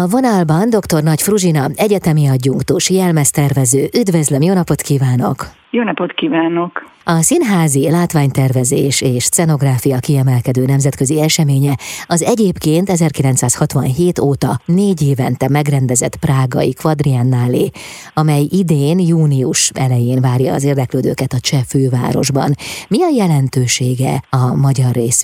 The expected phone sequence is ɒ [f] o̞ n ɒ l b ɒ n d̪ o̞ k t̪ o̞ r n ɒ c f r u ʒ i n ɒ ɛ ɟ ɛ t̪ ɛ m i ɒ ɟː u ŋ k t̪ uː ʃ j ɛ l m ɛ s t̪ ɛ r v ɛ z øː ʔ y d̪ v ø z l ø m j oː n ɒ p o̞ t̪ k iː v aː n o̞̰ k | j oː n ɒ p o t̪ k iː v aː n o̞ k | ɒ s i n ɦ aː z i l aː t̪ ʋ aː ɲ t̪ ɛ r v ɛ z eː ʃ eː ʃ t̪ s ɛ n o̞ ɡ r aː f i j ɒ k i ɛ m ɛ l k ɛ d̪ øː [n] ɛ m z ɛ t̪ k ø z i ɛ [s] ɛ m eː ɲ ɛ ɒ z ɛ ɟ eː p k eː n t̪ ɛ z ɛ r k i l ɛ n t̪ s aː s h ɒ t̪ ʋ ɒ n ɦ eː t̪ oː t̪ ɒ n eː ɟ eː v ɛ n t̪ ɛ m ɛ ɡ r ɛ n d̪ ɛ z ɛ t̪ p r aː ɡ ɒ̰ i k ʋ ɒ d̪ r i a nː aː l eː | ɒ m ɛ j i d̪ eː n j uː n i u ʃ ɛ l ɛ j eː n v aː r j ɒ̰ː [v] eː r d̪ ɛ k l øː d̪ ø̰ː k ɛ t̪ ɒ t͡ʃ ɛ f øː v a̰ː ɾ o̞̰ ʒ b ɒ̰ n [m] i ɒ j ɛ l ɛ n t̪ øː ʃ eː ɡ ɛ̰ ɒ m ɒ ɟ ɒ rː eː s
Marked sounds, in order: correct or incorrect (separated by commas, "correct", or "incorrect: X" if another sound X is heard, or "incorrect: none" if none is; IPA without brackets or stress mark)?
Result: incorrect: v, correct, incorrect: ʃ, incorrect: z, correct